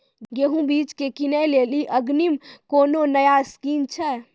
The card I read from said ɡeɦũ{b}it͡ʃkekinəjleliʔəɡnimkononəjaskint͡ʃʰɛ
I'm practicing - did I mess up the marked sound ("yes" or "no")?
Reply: no